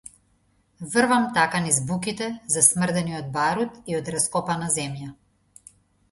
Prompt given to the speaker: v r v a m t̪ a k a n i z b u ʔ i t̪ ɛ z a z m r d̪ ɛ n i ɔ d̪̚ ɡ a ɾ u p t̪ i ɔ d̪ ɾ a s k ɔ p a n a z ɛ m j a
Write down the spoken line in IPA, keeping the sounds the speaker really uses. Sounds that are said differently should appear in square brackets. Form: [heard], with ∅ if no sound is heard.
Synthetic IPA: v r v a m t̪ a k a n i z b u [k] i t̪ ɛ z a [s] m r d̪ ɛ n i ɔ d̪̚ [b] a ɾ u [∅] t̪ i ɔ d̪ ɾ a s k ɔ p a n a z ɛ m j a